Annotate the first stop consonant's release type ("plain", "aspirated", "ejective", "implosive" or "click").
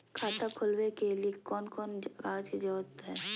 aspirated